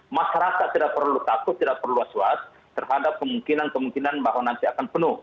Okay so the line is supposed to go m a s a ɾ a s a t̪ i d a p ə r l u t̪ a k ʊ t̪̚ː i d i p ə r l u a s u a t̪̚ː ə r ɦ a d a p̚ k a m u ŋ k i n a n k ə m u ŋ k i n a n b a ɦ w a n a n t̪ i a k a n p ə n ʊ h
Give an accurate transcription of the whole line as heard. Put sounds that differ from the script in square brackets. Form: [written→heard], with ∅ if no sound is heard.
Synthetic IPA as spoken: m a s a ɾ a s a t̪ i d a p ə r l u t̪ a k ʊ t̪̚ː i d [i→a] p ə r l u a s u a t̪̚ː ə r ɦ a d a p̚ k [a→ə] m u ŋ k i n a n k ə m u ŋ k i n a n b a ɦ w a n a n t̪ i a k a n p ə n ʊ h